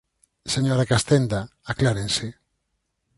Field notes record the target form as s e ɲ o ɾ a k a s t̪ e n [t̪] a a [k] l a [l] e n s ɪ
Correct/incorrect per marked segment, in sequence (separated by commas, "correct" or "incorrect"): incorrect, correct, incorrect